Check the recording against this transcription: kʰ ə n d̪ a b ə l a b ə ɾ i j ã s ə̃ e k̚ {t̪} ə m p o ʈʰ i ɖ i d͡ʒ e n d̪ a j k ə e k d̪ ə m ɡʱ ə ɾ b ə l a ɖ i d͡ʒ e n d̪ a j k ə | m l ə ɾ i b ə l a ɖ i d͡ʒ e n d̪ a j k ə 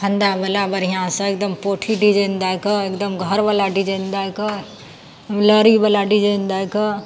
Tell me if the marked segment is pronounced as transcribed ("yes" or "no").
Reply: no